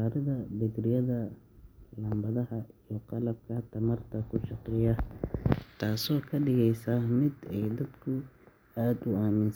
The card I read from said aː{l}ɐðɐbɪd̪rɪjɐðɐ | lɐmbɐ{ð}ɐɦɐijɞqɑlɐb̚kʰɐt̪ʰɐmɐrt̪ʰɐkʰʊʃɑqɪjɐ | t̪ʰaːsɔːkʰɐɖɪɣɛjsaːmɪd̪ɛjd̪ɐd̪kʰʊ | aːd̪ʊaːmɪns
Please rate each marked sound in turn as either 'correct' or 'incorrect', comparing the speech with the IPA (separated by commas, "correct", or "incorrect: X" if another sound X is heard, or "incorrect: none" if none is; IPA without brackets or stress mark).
incorrect: ɾ, correct